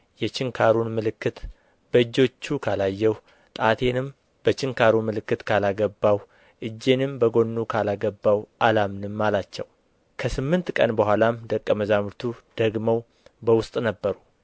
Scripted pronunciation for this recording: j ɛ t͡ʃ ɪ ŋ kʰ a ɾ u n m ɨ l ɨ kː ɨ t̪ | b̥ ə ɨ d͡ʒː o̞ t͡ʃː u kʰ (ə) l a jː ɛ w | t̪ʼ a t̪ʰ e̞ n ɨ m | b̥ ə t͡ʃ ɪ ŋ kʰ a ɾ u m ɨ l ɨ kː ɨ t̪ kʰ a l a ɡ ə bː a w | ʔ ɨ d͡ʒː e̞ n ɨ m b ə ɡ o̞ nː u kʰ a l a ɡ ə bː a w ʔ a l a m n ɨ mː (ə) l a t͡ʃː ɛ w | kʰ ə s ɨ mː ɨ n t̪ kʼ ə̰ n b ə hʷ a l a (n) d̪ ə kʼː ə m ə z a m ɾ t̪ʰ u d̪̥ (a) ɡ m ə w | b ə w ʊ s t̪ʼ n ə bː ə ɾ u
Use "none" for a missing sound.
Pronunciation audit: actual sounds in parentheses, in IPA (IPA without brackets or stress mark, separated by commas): a, a, m, ə